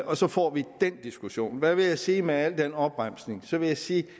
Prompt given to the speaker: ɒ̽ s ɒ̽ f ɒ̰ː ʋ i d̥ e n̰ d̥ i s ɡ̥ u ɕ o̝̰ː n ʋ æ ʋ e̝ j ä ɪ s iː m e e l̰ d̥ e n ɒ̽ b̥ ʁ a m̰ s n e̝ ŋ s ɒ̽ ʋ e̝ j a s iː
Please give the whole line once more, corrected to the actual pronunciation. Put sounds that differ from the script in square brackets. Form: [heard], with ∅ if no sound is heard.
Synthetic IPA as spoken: ɒ̽ s ɒ̽ f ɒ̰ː ʋ i d̥ e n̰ d̥ i s ɡ̥ u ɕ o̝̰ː n ʋ æ ʋ e̝ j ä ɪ s iː m e [æ] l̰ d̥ e n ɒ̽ b̥ ʁ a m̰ s n e̝ ŋ s ɒ̽ ʋ e̝ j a s iː